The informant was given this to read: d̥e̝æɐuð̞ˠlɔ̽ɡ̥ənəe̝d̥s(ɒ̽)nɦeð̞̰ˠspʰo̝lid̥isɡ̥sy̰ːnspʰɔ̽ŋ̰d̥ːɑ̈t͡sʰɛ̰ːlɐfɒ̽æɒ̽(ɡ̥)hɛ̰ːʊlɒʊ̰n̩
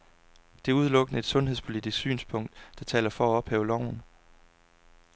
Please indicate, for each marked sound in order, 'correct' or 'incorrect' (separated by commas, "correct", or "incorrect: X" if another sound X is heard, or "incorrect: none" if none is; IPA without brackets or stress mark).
incorrect: ɔ̽, incorrect: b̥